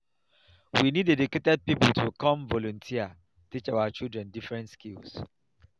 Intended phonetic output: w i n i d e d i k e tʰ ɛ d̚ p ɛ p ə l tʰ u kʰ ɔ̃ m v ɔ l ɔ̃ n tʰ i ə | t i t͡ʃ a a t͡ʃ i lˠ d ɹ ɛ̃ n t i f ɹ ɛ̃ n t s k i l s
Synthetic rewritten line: w i n i d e d i k e t ɛ d̚ p i p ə l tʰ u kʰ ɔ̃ m v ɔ l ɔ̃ n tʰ i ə | t i t͡ʃ a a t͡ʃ i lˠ d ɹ ɛ̃ n d i f ɹ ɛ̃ n t s k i l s